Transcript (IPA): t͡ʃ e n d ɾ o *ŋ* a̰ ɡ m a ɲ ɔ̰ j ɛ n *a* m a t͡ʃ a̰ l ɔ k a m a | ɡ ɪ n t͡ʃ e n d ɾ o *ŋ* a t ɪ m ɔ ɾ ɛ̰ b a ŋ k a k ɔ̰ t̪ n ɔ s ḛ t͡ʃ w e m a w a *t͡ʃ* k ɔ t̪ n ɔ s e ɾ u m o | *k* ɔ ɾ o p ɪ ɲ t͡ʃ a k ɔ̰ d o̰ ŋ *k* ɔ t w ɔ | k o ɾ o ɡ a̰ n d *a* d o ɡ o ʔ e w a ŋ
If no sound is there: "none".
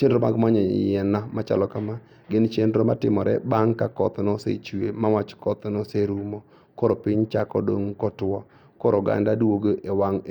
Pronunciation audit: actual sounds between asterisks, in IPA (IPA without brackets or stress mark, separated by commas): m, a, m, t͡ʃ, k, k, a